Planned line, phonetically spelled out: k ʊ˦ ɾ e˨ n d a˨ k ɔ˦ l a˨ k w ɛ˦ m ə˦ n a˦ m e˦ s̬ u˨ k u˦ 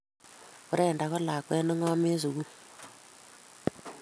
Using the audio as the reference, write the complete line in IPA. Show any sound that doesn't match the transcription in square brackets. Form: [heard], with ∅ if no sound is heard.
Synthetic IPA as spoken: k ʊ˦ ɾ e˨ n d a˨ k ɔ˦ l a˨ k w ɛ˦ [n] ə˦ [ŋ] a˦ m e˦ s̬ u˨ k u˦